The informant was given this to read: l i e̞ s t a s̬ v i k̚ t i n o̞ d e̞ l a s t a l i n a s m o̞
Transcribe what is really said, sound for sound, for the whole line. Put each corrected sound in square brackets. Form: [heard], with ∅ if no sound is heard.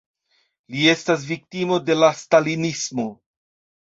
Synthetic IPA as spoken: l i e̞ s t a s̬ v i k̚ t i [m] o̞ d e̞ l a s t a l i n [i] s m o̞